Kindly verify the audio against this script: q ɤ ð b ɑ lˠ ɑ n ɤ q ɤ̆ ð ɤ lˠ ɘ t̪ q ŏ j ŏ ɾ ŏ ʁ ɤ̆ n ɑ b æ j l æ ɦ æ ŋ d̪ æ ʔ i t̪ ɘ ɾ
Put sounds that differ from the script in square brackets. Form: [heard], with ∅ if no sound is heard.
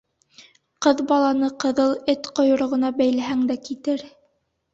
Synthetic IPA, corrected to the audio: q ɤ ð b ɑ lˠ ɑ n ɤ q ɤ̆ ð ɤ lˠ ɘ t̪ q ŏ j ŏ ɾ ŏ ʁ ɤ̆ n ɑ b æ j l æ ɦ æ ŋ d̪ æ [k] i t̪ ɘ ɾ